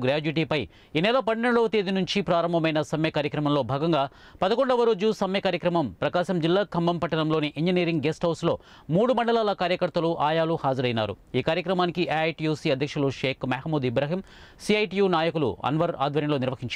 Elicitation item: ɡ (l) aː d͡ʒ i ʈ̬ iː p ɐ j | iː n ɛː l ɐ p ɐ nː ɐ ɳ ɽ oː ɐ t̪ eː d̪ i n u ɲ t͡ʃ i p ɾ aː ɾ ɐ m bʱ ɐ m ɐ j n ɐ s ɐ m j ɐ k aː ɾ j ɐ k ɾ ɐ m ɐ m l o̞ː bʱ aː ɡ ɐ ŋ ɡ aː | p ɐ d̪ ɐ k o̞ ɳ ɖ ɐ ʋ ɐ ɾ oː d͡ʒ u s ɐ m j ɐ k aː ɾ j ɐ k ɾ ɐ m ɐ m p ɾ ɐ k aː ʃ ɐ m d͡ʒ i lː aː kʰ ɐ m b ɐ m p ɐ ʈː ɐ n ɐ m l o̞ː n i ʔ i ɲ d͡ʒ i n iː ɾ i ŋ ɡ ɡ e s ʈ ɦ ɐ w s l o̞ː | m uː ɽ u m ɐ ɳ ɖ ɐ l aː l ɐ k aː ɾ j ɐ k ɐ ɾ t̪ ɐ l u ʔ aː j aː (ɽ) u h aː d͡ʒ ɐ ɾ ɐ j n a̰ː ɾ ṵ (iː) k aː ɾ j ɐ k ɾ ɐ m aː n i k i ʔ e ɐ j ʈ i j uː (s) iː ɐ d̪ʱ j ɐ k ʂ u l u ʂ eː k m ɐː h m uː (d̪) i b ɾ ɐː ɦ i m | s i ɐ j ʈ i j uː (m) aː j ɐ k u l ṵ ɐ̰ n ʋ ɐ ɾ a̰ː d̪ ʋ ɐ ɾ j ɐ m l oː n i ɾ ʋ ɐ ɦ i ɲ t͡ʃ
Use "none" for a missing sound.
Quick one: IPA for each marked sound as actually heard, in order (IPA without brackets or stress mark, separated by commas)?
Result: ɾ, l, iː, s, d̪, n